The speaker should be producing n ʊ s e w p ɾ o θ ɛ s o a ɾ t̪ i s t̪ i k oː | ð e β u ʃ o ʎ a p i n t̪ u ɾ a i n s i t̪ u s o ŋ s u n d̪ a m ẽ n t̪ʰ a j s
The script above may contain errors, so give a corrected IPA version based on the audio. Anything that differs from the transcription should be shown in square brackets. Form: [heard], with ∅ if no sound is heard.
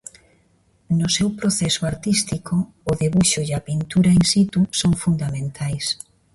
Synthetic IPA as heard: n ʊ s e w p ɾ o θ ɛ s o a ɾ t̪ i s t̪ i k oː | ð e β u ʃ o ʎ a p i n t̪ u ɾ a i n s i t̪ u s o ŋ [f] u n d̪ a m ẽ n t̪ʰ a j s

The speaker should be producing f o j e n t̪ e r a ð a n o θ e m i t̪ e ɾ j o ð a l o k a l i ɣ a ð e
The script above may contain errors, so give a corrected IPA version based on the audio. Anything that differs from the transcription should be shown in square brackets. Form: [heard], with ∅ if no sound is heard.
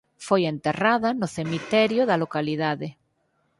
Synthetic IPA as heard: f o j e n t̪ e r a ð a n o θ e m i t̪ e ɾ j o ð a l o k a l i [ð] a ð e

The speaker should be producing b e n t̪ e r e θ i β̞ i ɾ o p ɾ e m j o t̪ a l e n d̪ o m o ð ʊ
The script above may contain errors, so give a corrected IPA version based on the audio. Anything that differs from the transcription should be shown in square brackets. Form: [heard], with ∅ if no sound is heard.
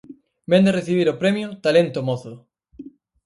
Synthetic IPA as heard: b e n [d̪] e r e θ i β̞ i ɾ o p ɾ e m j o t̪ a l e n [t̪] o m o [θ] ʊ

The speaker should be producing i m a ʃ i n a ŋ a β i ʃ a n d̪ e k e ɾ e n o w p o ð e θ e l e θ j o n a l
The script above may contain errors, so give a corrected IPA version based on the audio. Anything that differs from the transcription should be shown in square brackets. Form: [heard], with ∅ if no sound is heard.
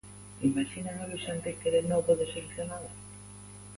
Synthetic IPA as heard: i m a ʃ i n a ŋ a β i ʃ a n [t̪] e k e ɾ e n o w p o ð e [s] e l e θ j o n a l

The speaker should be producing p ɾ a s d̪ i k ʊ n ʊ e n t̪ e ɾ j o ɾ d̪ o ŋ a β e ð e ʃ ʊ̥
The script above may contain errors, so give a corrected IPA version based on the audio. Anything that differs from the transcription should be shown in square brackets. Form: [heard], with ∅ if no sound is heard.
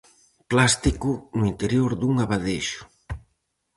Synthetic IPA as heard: p [l] a s [t̪] i k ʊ n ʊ [i] n t̪ e ɾ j o ɾ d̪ [u] ŋ a β [a] ð e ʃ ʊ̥

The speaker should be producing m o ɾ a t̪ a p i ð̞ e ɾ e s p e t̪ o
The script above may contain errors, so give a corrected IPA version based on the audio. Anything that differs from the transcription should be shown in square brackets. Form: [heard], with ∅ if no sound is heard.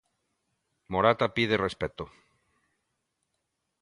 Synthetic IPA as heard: m o ɾ a t̪ a p i ð̞ e [r] e s p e t̪ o

